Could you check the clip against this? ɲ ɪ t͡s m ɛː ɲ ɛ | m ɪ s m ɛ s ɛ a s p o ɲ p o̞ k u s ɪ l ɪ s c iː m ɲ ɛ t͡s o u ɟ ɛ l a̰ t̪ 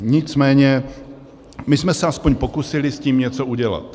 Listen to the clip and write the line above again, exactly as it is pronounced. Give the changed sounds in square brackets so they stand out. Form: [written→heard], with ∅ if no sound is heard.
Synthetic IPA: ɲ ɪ t͡s m ɛː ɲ ɛ | m ɪ s m ɛ s ɛ a s p o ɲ p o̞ k u s ɪ l ɪ s c iː m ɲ ɛ t͡s o u ɟ ɛ l a̰ t̪